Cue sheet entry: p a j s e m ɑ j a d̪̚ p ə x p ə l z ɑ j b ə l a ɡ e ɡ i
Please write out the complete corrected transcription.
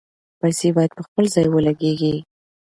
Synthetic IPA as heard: p a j s e b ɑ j a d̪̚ p ə x p ə l z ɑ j w ə l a ɡ e ɡ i